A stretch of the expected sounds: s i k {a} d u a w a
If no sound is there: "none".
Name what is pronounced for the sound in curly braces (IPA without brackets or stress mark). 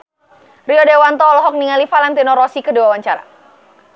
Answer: ə